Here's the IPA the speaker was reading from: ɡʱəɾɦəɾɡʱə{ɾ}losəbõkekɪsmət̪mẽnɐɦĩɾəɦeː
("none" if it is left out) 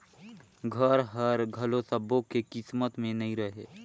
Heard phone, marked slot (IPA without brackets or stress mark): none